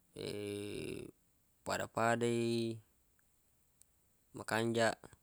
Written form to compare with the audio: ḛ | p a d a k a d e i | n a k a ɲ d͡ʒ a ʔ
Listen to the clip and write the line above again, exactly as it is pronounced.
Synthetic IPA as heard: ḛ | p a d a p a d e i | m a k a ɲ d͡ʒ a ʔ

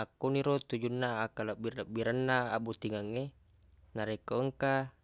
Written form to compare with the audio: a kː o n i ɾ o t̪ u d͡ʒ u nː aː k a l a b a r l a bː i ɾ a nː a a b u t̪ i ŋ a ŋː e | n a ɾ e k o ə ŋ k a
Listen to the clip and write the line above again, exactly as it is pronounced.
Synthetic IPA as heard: a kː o n i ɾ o t̪ u d͡ʒ u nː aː k a l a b i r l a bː i ɾ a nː a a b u t̪ i ŋ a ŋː e | n a ɾ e k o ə ŋ k a

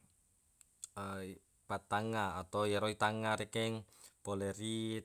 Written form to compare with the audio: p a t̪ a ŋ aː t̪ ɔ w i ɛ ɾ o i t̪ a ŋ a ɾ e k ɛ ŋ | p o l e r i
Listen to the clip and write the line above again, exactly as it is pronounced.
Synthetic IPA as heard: p a t̪ a ŋ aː t̪ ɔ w j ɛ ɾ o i t̪ a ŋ a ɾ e k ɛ ŋ | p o l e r i

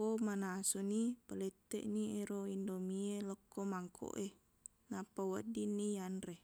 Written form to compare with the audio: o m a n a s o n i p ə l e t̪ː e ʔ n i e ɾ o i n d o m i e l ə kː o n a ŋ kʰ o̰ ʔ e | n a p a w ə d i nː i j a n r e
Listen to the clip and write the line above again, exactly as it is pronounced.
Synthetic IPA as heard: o m a n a s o n i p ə l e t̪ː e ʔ n i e ɾ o i n d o m i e l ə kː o m a ŋ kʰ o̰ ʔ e | n a p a w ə d i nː i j a n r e

